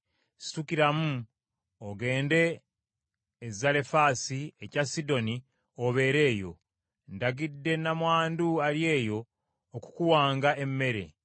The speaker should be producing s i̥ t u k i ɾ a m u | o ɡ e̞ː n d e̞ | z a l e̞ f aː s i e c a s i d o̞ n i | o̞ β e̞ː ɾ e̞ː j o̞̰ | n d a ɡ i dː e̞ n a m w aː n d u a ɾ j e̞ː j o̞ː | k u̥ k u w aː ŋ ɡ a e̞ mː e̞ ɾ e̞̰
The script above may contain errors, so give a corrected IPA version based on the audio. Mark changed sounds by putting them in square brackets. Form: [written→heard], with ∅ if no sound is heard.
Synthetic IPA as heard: s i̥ t u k i ɾ a m u | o ɡ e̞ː n d e̞ | z a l e̞ f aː s i e c a s i d o̞ n i | o̞ β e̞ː ɾ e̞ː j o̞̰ | n d a ɡ i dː e̞ n a m w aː n d u a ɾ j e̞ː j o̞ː | k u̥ k u w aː ŋ ɡ a e̞ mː e̞ ɾ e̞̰